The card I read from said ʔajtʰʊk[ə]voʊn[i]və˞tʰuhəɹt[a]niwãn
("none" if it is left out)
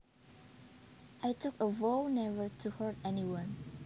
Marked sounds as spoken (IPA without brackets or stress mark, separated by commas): ə, ɛ, ɛ